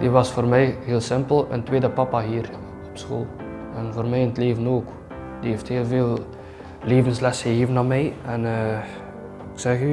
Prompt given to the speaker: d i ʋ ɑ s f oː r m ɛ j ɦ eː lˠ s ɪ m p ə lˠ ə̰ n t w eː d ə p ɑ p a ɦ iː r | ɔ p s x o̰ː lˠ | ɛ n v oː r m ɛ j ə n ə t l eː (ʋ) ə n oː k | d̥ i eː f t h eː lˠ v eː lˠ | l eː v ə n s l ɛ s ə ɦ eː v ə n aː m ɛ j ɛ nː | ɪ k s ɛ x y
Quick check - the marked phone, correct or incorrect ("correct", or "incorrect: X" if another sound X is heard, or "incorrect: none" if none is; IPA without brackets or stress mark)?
incorrect: v